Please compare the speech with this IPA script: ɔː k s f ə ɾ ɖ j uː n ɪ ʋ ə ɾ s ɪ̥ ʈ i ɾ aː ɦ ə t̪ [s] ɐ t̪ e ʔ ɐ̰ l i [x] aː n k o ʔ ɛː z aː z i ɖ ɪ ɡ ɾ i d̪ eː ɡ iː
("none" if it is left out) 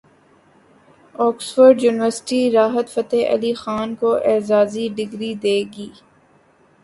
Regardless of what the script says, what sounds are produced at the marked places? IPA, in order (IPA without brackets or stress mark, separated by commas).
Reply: f, x